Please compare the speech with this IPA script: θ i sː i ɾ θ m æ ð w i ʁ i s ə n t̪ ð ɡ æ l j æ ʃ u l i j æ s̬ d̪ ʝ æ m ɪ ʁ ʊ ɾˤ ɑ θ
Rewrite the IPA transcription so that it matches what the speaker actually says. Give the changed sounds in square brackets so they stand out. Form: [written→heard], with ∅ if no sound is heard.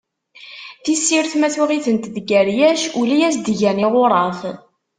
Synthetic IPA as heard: θ i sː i ɾ θ m æ [ð→θ] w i ʁ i [s→θ] ə n t̪ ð ɡ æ [l→ɾ] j æ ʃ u l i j æ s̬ d̪ ʝ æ [m→n] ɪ ʁ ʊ ɾˤ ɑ θ